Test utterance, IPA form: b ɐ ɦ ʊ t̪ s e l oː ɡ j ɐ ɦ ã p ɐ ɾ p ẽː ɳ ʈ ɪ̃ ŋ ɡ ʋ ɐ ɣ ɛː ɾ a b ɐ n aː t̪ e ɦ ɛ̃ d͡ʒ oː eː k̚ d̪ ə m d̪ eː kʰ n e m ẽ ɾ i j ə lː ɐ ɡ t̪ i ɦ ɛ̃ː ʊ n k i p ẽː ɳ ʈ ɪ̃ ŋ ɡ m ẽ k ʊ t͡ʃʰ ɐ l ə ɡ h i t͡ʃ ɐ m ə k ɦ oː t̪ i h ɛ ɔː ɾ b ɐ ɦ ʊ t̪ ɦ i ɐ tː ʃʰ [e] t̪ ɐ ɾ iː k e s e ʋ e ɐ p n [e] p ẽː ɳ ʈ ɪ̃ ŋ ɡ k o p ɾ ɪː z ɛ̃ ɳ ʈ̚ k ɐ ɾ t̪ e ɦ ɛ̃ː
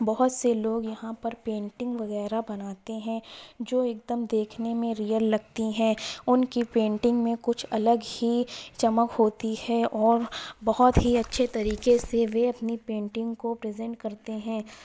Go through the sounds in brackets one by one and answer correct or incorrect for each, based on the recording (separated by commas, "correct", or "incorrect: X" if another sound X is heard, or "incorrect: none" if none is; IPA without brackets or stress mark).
correct, incorrect: i